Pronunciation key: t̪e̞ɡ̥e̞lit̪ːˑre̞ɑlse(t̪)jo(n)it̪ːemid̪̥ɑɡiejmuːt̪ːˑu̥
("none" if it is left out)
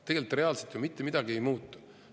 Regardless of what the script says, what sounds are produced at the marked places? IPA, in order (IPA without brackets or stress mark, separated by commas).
t̪, m